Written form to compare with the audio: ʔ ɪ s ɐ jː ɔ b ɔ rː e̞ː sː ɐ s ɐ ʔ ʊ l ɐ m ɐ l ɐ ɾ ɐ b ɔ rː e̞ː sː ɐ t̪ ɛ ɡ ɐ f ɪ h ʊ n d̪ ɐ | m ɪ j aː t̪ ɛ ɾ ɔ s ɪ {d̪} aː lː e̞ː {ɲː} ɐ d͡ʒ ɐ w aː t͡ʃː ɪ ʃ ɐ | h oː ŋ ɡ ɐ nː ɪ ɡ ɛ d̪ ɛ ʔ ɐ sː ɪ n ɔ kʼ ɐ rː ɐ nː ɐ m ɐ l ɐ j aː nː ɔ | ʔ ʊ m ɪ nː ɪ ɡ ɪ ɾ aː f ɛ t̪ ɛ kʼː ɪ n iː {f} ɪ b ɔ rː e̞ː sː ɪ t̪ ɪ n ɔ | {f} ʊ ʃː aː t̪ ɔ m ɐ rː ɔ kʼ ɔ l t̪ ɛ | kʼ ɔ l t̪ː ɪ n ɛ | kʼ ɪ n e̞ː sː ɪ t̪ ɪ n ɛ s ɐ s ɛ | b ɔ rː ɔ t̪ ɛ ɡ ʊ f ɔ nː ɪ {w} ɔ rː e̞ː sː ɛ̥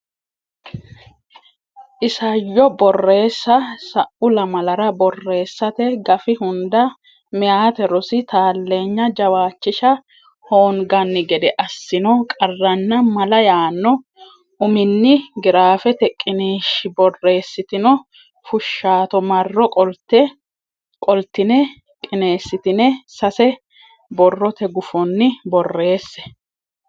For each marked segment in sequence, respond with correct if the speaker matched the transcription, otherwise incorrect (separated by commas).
incorrect, correct, incorrect, correct, incorrect